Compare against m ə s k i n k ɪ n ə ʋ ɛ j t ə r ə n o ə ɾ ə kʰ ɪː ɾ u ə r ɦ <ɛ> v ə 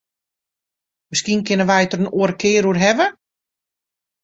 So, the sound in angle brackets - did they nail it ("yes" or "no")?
yes